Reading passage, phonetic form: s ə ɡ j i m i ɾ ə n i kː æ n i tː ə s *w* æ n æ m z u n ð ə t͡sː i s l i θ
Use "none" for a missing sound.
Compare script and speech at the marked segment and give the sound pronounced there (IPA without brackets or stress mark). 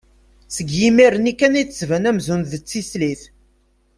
v